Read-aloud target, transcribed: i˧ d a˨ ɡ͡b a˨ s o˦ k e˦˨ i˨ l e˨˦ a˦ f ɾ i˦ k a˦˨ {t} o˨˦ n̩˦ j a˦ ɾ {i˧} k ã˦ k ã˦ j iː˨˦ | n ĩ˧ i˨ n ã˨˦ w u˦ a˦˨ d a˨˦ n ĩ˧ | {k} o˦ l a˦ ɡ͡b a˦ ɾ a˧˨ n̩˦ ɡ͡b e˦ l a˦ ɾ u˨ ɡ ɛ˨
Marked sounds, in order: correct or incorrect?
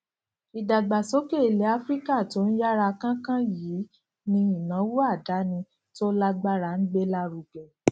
correct, incorrect, incorrect

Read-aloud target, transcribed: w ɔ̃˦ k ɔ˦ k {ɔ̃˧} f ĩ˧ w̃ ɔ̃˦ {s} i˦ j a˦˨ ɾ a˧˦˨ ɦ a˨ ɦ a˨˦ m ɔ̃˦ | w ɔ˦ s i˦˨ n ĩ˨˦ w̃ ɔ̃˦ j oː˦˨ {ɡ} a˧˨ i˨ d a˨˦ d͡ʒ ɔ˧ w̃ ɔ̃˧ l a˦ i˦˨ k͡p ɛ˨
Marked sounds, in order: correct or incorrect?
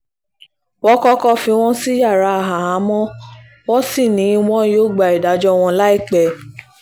incorrect, correct, incorrect

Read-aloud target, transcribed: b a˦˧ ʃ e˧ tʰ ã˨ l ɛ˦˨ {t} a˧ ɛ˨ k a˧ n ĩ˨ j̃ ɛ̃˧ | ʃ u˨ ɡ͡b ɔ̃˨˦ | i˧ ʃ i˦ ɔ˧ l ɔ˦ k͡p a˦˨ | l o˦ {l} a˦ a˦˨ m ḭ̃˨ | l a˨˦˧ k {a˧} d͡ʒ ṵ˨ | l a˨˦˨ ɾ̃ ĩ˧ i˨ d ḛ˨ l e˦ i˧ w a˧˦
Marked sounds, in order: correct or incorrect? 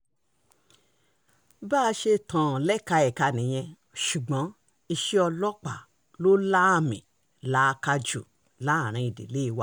incorrect, correct, correct

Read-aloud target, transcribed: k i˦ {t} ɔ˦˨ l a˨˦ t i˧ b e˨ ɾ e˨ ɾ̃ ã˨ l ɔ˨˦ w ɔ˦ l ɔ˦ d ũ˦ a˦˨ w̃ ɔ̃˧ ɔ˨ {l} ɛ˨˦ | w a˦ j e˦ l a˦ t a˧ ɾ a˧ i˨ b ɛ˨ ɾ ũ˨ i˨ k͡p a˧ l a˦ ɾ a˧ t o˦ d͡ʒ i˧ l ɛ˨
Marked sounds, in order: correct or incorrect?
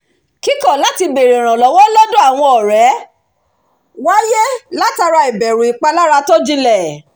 incorrect, incorrect

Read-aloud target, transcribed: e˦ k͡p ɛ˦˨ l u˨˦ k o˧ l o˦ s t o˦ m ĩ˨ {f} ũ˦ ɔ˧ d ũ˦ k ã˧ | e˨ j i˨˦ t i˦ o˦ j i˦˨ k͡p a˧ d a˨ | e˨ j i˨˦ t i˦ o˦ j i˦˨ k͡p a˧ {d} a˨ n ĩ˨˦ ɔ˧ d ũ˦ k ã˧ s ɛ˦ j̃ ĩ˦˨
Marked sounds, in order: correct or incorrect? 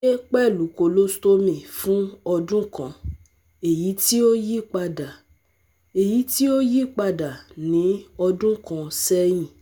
correct, correct

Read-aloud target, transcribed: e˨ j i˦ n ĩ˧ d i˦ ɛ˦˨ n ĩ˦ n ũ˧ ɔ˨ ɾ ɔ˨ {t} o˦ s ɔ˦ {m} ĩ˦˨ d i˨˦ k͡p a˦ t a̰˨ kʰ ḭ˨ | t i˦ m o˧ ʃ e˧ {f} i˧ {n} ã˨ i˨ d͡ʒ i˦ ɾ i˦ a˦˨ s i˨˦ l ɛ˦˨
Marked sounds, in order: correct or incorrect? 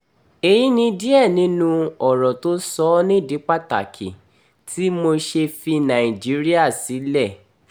correct, incorrect, correct, correct

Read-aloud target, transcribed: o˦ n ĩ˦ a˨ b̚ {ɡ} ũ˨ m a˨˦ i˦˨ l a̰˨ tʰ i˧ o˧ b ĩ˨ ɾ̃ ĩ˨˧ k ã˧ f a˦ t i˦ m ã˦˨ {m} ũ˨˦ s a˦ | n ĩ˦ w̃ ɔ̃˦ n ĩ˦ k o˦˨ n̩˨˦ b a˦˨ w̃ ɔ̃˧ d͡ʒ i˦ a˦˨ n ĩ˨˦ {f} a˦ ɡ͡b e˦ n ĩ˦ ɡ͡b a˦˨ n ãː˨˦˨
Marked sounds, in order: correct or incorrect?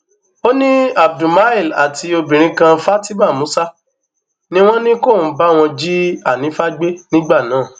incorrect, correct, correct

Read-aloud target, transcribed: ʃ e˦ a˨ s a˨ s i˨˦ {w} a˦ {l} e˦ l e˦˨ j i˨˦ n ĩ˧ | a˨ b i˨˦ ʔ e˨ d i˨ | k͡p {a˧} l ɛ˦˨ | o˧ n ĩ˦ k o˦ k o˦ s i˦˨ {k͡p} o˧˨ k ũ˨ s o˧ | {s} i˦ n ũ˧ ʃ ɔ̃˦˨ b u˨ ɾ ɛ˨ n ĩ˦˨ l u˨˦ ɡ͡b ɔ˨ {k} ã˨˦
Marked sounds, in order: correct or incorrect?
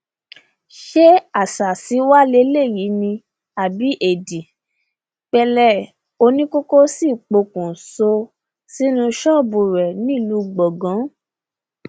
correct, correct, incorrect, correct, correct, incorrect

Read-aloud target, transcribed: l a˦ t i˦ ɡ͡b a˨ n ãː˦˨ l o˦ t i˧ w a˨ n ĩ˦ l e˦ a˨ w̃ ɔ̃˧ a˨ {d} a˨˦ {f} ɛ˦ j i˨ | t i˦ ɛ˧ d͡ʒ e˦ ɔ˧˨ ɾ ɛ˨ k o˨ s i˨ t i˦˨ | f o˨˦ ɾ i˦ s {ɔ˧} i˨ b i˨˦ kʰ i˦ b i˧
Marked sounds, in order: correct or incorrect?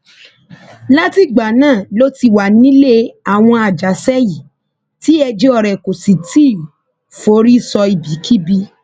incorrect, incorrect, correct

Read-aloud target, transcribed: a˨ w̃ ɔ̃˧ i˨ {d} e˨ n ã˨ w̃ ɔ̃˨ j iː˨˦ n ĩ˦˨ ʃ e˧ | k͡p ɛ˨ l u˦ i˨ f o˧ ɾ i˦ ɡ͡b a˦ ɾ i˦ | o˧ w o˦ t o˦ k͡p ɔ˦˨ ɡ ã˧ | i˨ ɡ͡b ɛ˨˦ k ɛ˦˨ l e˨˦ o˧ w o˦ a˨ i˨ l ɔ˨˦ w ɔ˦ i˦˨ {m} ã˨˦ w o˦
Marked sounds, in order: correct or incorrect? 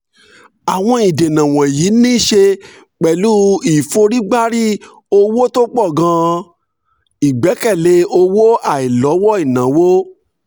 correct, incorrect

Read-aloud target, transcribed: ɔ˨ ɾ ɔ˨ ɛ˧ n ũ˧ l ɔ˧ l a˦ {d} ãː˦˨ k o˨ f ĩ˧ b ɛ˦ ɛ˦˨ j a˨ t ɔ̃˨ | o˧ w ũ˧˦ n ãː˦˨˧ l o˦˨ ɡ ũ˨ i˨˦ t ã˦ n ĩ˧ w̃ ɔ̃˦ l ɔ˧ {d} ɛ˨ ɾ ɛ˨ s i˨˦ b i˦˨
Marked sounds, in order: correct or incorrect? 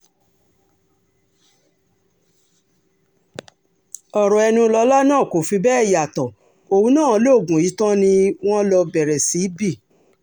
incorrect, incorrect

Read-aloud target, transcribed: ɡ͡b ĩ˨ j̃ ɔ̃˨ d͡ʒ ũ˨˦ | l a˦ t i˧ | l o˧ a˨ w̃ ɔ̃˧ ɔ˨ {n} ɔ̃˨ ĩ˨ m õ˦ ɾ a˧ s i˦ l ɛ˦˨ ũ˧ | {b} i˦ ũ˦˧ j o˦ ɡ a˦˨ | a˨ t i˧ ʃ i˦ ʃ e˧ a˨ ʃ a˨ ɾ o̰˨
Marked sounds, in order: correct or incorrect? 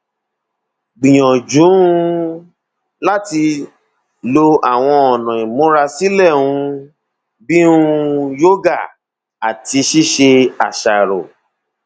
correct, correct

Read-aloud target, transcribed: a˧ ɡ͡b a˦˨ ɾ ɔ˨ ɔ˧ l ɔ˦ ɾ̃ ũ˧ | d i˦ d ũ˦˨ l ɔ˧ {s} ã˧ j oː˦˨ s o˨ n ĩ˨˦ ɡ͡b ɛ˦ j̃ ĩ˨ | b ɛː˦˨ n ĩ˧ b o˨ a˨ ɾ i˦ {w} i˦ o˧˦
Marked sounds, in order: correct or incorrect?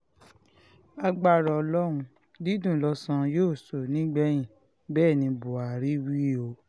correct, correct

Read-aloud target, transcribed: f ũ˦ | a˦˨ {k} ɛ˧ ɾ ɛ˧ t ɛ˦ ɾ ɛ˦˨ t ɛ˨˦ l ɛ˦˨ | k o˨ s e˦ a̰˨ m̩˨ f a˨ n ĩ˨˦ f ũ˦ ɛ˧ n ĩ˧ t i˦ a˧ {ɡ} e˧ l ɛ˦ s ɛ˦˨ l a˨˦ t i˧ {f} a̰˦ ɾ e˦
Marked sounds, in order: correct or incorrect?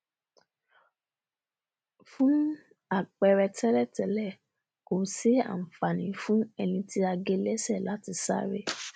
incorrect, correct, incorrect

